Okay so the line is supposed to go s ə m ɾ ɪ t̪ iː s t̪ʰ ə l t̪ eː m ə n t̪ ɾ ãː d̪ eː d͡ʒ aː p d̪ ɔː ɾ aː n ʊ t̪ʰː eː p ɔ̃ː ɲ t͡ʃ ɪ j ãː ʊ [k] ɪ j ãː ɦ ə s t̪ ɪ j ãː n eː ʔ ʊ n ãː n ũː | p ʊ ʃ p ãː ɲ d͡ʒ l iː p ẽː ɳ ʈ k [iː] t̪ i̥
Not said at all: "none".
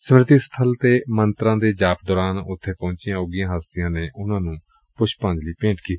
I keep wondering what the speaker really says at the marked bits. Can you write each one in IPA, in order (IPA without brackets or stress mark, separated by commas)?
ɡ, iː